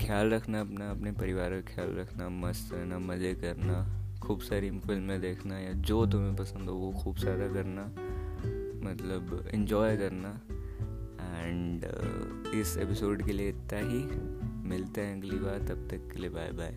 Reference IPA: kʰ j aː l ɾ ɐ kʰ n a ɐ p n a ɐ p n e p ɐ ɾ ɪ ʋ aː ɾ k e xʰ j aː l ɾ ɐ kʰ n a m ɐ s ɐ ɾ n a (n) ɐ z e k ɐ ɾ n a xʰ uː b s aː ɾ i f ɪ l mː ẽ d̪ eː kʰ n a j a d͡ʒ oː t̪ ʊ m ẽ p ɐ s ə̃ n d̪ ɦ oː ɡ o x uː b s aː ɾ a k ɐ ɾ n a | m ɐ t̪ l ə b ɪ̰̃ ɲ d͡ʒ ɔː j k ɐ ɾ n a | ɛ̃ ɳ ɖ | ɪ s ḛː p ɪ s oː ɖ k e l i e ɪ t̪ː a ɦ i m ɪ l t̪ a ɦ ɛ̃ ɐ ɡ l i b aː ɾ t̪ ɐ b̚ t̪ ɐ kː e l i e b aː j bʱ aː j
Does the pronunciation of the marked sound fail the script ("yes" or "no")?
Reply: yes